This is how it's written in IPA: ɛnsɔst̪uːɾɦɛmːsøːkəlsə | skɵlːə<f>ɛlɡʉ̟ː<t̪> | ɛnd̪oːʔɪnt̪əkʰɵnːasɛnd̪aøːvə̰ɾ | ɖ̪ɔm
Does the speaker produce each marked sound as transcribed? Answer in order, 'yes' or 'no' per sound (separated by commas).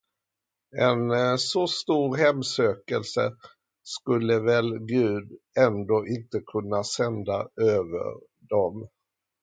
no, no